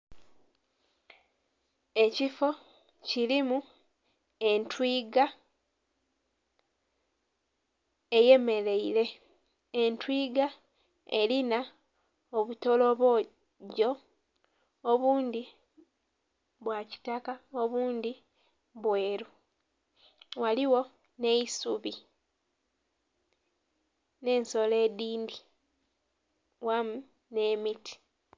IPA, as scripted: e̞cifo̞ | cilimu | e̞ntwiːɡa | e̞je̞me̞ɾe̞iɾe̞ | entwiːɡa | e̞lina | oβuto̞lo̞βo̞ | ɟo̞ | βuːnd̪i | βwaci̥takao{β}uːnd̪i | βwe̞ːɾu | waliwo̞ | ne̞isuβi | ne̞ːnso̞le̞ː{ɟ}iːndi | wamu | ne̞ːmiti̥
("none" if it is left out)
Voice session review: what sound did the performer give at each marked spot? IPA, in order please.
β, d

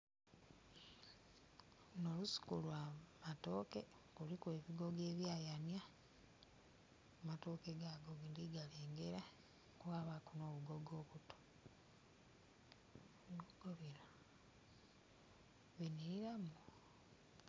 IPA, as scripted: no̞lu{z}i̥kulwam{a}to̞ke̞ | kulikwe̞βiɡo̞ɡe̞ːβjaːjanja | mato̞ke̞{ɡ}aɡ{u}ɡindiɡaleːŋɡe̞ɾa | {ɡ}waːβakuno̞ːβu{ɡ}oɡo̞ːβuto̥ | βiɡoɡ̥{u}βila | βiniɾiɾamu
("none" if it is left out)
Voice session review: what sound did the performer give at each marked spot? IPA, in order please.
s, a, ɡ, o, k, ɡ, o

